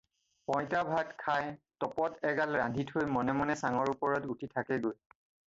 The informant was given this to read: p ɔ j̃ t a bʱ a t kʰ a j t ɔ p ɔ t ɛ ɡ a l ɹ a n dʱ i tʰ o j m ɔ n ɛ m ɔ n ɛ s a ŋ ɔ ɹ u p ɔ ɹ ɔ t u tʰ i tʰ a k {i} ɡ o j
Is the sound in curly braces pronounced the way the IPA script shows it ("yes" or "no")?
no